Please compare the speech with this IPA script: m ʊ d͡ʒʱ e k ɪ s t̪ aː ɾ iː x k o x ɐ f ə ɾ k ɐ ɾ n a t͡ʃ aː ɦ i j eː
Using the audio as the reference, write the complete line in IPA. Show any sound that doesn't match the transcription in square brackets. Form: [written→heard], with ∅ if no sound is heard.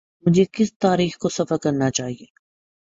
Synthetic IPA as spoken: m ʊ d͡ʒʱ e k ɪ s t̪ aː ɾ iː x k o [x→s] ɐ f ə ɾ k ɐ ɾ n a t͡ʃ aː ɦ i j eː